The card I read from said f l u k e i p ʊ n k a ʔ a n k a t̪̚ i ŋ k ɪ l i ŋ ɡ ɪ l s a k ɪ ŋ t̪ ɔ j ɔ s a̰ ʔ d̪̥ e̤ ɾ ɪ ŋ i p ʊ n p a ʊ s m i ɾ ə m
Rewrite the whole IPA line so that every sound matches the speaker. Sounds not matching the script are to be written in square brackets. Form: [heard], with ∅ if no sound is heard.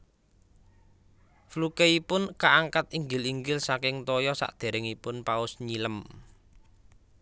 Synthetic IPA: f l u k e i p ʊ n k a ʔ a [ŋ] k a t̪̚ i ŋ [ɡ] ɪ l i ŋ ɡ ɪ l s a k ɪ ŋ t̪ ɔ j ɔ s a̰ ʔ d̪̥ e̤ ɾ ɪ ŋ i p ʊ n p a ʊ s [ɲ] i [l] ə m

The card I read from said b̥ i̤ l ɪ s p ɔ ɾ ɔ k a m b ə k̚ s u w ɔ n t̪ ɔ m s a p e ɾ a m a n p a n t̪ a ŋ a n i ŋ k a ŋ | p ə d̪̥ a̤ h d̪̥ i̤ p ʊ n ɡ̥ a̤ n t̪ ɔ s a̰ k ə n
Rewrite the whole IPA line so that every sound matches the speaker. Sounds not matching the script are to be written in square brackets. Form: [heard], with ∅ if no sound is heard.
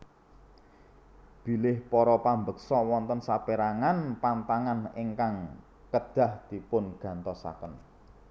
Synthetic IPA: b̥ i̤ l ɪ [h] p ɔ ɾ ɔ [p] a m b ə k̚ s [ɔ] w ɔ n t̪ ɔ [n] s a p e ɾ a [ŋ] a n p a n t̪ a ŋ a n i ŋ k a ŋ | [k] ə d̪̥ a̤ h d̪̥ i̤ p ʊ n ɡ̥ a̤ n t̪ ɔ s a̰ k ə n

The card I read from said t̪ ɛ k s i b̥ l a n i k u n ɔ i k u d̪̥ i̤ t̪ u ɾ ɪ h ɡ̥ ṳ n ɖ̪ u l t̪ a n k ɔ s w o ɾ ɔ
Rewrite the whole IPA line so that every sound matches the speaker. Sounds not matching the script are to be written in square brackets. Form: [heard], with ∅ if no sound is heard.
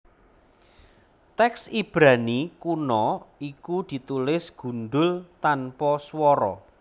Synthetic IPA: t̪ ɛ k s i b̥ [ɾ] a n i k u n ɔ i k u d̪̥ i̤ t̪ u [l] ɪ [s] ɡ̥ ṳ n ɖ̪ [ʊ] l t̪ a n [p] ɔ s w [ɔ] ɾ ɔ

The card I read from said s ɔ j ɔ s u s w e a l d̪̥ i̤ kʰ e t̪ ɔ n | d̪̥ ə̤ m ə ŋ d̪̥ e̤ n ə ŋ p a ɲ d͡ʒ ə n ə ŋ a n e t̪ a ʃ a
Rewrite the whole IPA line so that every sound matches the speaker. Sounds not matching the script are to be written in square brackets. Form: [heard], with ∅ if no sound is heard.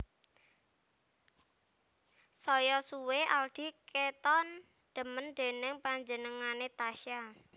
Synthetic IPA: s ɔ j ɔ s u [∅] w e a l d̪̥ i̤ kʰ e t̪ ɔ n | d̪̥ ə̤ m ə [n] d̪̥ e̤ n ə ŋ p a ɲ d͡ʒ ə n ə ŋ a n e t̪ a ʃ a

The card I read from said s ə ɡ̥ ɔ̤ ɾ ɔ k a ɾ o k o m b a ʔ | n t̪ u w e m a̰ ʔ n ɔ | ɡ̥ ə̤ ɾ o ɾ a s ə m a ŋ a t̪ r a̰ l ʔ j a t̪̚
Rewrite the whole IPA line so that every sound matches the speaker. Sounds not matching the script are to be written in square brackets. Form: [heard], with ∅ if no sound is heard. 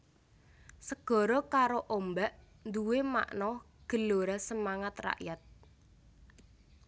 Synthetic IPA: s ə ɡ̥ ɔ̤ ɾ ɔ k a ɾ o [ʔ] o m b a ʔ | n [d̪] u w e m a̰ ʔ n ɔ | ɡ̥ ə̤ [l] o ɾ a s ə m a ŋ a t̪ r a̰ [∅] ʔ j a t̪̚

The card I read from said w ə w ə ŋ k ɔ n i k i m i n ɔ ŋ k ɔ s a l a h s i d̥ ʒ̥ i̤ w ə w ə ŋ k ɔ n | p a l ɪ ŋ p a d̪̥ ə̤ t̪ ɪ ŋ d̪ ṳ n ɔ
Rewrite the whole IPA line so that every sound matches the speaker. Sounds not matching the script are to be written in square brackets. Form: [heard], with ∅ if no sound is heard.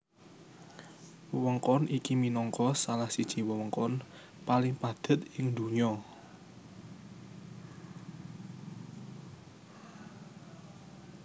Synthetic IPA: w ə w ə ŋ k ɔ n i k i m i n ɔ ŋ k ɔ s a l a h s i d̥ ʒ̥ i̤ w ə w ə ŋ k ɔ n | p a l ɪ ŋ p a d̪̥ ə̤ t̪ ɪ ŋ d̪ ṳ [ɲ] ɔ

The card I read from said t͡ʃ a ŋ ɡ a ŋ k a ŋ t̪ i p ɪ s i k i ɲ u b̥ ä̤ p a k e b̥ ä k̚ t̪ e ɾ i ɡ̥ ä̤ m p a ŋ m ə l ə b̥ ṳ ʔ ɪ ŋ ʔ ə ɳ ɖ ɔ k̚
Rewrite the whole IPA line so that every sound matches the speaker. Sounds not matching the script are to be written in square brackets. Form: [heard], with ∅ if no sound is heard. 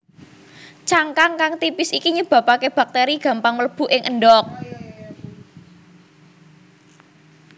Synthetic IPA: t͡ʃ a ŋ [k] a ŋ k a ŋ t̪ i p ɪ s i k i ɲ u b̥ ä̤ p a k e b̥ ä k̚ t̪ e ɾ i ɡ̥ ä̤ m p a ŋ m ə l ə b̥ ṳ ʔ ɪ ŋ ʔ ə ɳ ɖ ɔ k̚

